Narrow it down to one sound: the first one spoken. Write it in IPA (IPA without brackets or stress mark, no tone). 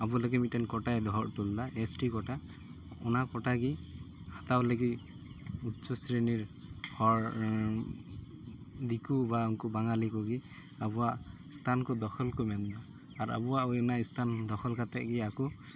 a